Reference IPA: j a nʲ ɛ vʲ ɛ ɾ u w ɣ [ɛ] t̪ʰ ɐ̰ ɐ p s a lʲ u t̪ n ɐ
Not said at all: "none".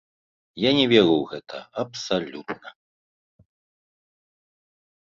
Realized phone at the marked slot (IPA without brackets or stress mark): ɛ